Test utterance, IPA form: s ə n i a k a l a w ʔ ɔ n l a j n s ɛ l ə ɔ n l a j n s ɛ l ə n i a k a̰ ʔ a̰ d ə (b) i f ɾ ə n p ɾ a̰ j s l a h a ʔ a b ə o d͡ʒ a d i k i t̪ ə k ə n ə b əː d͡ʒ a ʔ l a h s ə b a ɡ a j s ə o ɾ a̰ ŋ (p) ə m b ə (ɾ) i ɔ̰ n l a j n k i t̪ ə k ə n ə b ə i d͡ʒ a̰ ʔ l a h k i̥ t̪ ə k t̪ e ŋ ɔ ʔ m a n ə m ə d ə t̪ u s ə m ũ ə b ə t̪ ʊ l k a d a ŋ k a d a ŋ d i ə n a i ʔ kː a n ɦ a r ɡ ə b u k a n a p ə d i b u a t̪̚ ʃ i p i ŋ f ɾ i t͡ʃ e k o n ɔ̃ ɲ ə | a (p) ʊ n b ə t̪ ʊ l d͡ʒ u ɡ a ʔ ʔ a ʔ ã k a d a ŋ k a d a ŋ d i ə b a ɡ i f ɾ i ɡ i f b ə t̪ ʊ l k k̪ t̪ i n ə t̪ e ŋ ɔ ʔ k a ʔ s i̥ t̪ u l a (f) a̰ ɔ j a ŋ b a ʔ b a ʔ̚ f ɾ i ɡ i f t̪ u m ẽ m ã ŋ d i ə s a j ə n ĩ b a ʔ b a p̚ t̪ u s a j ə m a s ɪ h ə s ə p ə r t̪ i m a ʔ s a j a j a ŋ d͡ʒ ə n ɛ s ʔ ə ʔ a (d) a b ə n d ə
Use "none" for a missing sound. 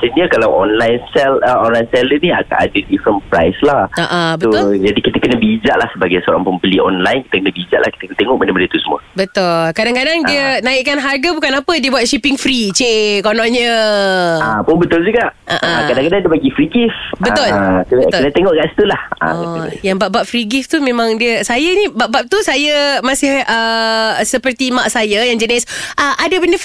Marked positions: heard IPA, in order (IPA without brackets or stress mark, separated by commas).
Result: d, p, l, p, h, d